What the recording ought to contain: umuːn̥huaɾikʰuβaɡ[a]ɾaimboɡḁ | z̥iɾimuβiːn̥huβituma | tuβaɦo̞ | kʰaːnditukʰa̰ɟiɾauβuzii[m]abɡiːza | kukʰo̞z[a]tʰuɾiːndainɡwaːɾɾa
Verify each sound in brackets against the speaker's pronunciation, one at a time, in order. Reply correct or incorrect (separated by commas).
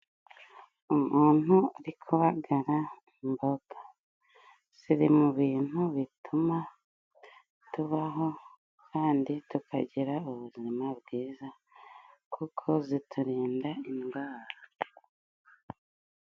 correct, correct, incorrect